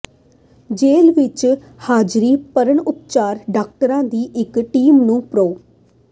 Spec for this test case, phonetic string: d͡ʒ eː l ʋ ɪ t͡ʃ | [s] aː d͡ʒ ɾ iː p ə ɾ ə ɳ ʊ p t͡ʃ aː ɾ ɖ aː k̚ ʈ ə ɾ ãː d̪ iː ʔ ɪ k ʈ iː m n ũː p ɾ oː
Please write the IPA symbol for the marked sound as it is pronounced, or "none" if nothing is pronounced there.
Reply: h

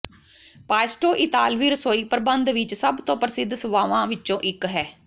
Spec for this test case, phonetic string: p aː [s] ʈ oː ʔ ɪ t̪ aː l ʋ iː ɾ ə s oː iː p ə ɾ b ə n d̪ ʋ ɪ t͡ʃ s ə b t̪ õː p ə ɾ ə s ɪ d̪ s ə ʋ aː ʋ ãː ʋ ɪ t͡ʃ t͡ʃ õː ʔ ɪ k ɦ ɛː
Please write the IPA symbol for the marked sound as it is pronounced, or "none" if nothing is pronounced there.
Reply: s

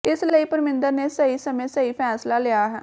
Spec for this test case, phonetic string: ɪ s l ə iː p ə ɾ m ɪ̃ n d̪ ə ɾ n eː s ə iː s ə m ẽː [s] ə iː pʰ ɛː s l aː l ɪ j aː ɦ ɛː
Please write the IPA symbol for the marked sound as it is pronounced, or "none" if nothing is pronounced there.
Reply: s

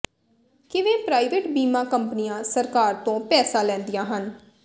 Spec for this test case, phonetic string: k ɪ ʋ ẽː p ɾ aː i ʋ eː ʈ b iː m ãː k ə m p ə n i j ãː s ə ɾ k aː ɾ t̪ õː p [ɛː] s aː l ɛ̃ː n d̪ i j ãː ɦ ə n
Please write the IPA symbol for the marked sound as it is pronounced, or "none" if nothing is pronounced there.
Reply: ɛː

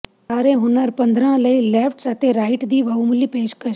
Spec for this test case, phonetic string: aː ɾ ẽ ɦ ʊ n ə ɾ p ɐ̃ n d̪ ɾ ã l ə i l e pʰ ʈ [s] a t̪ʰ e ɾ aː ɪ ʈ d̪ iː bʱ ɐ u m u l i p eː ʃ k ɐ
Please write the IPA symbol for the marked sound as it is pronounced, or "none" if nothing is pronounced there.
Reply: s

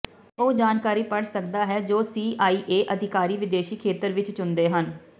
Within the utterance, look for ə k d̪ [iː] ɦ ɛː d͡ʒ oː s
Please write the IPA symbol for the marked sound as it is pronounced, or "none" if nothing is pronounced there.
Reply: aː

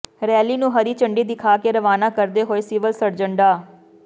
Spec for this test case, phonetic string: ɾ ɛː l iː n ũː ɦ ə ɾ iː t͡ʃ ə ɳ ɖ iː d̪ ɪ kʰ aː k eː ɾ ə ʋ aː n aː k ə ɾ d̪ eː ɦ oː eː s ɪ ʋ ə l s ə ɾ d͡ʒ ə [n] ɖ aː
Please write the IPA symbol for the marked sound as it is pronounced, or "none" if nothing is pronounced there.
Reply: ɳ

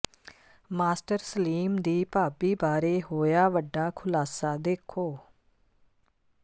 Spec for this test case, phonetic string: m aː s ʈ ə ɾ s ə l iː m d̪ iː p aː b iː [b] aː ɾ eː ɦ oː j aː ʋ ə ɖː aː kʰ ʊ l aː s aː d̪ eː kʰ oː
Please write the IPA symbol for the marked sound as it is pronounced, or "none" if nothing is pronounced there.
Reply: b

